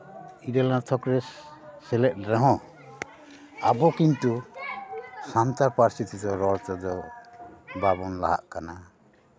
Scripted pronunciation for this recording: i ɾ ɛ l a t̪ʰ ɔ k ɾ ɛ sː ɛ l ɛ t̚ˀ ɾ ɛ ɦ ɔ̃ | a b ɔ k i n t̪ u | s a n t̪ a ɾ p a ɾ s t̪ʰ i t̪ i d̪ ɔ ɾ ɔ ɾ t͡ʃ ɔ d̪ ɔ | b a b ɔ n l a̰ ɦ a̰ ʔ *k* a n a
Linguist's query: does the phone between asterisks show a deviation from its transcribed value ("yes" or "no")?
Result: no